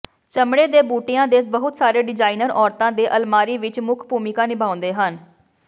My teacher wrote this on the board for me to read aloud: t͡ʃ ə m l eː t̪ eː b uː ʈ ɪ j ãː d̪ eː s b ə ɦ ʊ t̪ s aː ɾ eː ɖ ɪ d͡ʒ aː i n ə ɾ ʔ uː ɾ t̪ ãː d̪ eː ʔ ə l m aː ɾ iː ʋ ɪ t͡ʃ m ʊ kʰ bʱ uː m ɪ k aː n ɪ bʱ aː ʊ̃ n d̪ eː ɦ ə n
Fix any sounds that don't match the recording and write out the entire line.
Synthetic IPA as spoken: t͡ʃ ə m ɽ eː d̪ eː b uː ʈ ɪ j ãː d̪ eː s b ə ɦ ʊ t̪ s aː ɾ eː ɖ ɪ d͡ʒ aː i n ə ɾ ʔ ɔː ɾ t̪ ãː d̪ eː ʔ ə l m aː ɾ iː ʋ ɪ t͡ʃ m ʊ kʰ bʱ uː m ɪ k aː n ɪ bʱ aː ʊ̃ n d̪ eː ɦ ə n